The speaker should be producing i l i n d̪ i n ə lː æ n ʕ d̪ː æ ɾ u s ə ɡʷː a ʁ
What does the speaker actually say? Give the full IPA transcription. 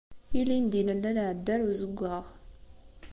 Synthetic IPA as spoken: i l i n d̪ i n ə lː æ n ʕ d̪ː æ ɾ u z ə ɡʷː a ʁ